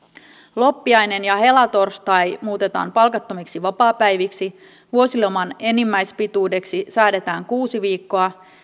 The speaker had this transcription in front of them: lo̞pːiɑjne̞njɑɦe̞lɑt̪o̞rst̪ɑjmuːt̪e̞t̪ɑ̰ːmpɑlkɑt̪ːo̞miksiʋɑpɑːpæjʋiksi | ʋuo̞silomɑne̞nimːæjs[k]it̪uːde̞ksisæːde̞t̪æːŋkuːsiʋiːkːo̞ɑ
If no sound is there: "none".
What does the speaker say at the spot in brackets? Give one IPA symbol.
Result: p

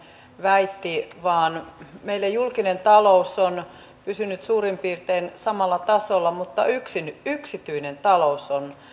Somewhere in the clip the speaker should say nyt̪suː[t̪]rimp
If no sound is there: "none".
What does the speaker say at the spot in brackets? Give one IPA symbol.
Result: none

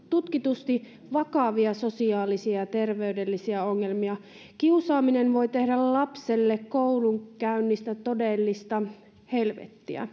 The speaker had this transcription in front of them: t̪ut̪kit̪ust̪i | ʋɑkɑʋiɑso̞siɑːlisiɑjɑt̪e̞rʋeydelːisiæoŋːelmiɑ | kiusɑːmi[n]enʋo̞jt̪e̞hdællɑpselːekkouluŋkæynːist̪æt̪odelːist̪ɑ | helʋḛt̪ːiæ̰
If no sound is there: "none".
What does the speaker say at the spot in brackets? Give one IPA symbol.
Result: n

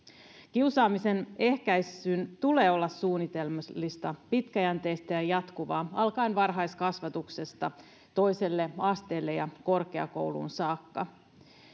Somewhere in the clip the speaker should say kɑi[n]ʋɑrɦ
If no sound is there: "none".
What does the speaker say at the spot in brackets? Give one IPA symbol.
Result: n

